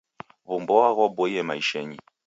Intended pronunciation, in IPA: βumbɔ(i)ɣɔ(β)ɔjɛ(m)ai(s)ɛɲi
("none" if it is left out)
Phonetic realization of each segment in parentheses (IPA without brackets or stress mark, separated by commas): a, b, m, ʃ